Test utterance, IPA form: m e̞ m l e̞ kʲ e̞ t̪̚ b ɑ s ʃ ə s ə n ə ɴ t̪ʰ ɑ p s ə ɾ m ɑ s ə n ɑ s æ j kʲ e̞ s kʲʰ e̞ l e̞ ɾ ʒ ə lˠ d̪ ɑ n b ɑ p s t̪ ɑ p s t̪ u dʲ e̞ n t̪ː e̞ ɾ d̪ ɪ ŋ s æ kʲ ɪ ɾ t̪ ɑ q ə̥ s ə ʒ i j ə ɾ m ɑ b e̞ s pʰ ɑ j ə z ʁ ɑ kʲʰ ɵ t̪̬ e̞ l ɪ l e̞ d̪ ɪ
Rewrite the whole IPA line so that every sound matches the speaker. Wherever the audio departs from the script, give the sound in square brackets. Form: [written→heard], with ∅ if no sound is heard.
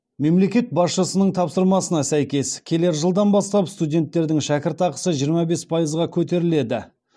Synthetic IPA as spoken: m e̞ m l e̞ kʲ e̞ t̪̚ b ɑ s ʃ ə s ə n ə ɴ t̪ʰ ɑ p s ə ɾ m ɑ s ə n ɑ s æ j kʲ e̞ s kʲʰ e̞ l e̞ ɾ ʒ ə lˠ d̪ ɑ n b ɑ [p→∅] s t̪ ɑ p s t̪ u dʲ e̞ n t̪ː e̞ ɾ d̪ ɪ ŋ [s→ʃ] æ kʲ ɪ ɾ t̪ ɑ q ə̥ s ə ʒ i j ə ɾ m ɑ b e̞ s pʰ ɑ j ə z ʁ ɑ kʲʰ ɵ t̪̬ e̞ [l→ɾ] ɪ l e̞ d̪ ɪ